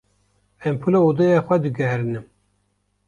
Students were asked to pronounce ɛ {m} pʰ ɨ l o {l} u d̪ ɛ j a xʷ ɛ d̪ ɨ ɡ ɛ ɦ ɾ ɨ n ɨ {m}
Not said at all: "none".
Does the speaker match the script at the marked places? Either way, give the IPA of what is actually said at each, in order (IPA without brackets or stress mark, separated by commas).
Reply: m, none, m